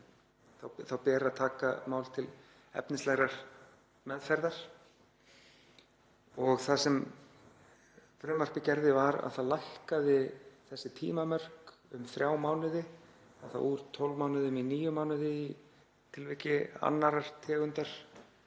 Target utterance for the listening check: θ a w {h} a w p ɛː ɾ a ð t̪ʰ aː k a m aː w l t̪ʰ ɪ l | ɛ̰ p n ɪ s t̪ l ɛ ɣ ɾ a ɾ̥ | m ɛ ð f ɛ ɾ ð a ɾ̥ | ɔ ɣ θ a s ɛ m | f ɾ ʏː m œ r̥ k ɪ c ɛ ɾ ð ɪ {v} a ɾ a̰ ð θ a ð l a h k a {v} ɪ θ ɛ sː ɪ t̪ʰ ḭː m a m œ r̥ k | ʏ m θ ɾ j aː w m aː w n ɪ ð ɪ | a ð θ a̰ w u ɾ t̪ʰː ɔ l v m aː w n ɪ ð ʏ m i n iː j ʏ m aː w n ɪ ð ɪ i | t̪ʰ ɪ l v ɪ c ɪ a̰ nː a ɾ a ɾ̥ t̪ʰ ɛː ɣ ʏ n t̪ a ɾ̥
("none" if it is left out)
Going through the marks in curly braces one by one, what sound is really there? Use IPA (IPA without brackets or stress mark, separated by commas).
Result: θ, v, ð